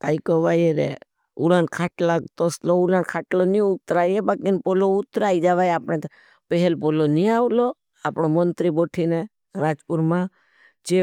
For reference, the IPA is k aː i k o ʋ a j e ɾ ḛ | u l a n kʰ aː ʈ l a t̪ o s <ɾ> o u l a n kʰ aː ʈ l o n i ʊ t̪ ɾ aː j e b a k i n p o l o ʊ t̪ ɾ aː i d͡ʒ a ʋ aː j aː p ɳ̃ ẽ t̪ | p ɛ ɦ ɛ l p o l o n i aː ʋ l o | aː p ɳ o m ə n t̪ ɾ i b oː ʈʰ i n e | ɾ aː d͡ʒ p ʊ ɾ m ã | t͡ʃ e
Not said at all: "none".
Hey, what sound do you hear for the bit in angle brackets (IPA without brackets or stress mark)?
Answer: l